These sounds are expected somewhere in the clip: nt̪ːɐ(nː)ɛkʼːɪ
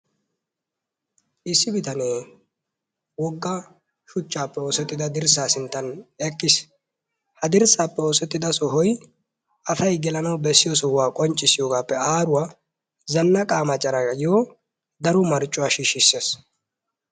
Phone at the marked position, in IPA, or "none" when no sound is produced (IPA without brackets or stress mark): n